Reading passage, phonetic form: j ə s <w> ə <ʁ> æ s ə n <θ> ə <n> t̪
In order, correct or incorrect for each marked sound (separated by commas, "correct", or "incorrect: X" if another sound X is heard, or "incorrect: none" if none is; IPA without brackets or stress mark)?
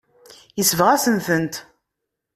incorrect: v, correct, correct, correct